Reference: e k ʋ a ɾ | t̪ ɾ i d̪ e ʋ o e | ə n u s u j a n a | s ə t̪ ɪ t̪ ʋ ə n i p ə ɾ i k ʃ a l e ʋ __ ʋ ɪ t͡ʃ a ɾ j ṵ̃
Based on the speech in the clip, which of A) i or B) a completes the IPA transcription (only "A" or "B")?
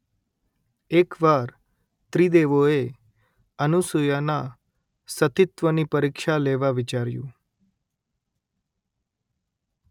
B